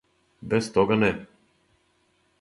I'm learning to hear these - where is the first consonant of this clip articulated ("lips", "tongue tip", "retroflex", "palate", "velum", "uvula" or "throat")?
lips